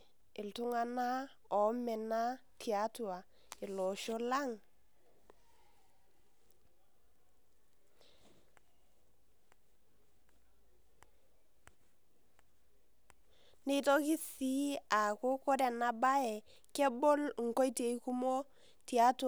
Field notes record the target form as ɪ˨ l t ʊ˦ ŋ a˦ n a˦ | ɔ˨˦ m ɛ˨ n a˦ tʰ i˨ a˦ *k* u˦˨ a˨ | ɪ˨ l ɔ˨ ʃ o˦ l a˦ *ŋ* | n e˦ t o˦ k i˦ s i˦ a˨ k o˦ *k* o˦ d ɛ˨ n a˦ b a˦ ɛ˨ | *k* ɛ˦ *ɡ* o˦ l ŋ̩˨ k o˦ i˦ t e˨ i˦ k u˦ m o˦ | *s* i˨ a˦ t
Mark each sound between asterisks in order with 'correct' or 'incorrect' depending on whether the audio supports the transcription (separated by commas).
incorrect, correct, correct, correct, incorrect, incorrect